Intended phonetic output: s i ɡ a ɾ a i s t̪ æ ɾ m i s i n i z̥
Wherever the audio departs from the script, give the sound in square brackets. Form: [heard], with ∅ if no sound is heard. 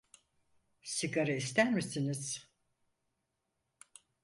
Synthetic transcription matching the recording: s i ɡ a ɾ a i s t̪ æ ɾ m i s i n i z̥